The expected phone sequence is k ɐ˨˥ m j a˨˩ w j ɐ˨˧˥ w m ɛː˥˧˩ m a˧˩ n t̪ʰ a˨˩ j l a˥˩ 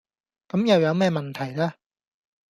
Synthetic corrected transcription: k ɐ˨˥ m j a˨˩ w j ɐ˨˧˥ w m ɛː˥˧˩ m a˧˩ n t̪ʰ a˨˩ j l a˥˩